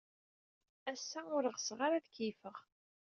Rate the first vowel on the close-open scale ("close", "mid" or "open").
open